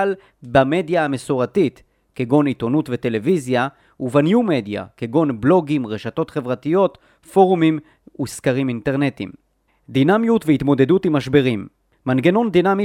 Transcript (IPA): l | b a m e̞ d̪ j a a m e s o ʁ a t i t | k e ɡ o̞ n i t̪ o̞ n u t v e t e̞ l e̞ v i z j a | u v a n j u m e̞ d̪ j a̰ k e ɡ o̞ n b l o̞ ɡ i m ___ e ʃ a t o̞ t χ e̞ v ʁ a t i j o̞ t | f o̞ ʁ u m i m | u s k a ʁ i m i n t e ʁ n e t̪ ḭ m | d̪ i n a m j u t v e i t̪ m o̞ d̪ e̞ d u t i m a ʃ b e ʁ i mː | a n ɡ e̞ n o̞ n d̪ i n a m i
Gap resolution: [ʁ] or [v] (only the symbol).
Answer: ʁ